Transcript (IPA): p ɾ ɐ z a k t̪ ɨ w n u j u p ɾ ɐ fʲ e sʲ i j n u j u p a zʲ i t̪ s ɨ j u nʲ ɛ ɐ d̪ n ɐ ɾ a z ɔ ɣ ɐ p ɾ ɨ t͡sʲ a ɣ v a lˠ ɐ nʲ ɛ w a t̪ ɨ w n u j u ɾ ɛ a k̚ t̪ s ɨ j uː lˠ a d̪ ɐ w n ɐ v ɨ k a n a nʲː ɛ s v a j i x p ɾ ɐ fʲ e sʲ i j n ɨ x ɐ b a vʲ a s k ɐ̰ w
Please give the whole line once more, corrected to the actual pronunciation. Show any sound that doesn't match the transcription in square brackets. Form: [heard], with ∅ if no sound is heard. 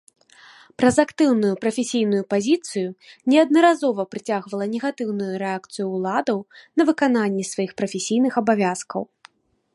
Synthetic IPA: p ɾ ɐ z a k t̪ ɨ w n u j u p ɾ ɐ fʲ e sʲ i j n u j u p a zʲ i t̪ s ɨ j u nʲ ɛ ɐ d̪ n ɐ ɾ a z ɔ [v] ɐ p ɾ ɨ t͡sʲ a ɣ v [ɐ] lˠ ɐ nʲ ɛ [ɣ] a t̪ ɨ w n u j u ɾ ɛ a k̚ t̪ s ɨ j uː lˠ a d̪ ɐ w n ɐ v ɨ k a n a nʲː ɛ s v a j i x p ɾ ɐ fʲ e sʲ i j n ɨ x ɐ b a vʲ a s k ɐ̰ w